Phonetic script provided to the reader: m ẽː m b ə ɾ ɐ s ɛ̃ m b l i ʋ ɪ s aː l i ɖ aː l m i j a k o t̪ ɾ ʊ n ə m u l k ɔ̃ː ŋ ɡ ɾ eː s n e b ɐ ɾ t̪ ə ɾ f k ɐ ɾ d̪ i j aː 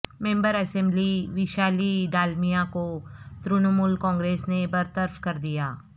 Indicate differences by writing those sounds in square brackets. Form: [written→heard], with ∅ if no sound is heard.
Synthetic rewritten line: m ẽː m b ə ɾ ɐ s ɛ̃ m b l i ʋ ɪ [s→ʃ] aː l i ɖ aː l m i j a k o t̪ ɾ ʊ n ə m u l k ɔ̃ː ŋ ɡ ɾ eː s n e b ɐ ɾ t̪ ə ɾ f k ɐ ɾ d̪ i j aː